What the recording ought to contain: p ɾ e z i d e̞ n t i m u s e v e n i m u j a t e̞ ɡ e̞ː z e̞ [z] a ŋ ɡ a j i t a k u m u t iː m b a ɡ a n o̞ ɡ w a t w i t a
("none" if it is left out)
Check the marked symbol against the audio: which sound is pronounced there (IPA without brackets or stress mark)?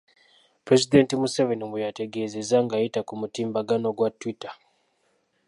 z